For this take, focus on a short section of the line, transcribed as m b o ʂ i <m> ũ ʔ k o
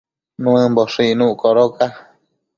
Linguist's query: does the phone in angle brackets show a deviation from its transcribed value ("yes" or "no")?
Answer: yes